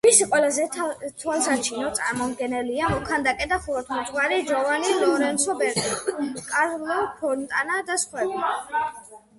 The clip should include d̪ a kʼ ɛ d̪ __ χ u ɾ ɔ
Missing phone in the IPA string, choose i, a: a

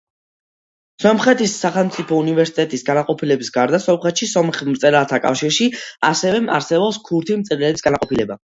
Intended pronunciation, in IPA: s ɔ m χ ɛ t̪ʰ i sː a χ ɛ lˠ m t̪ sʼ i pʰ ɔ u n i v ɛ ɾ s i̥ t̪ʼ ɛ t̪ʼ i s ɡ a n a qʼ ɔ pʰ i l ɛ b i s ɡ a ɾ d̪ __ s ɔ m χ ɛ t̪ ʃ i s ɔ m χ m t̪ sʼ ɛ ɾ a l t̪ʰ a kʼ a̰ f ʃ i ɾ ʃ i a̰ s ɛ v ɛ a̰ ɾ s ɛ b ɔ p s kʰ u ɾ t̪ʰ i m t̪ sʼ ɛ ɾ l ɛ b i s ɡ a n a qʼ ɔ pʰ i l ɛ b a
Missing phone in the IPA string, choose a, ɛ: a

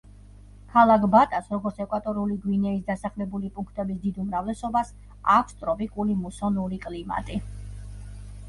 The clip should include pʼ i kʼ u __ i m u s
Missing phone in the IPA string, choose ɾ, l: l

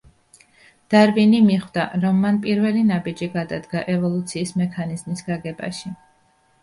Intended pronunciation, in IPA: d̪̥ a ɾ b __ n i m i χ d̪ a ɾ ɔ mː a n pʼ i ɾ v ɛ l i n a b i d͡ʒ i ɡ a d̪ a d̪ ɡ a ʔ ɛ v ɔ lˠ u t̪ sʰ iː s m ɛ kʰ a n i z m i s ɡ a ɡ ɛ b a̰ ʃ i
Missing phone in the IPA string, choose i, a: i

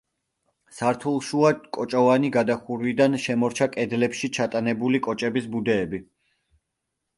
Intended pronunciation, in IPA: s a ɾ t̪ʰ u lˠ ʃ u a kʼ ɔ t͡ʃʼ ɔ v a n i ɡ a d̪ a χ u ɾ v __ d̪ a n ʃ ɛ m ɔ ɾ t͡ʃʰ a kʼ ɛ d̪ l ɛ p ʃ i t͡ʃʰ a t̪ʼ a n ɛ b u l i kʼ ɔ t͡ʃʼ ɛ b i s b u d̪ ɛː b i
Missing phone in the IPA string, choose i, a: i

